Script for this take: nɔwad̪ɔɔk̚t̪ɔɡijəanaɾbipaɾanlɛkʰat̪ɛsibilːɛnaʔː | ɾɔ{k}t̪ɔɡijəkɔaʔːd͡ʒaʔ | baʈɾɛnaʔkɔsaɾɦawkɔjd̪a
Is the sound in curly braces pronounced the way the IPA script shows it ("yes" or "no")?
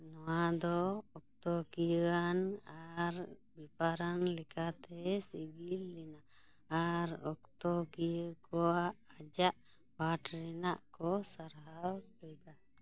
yes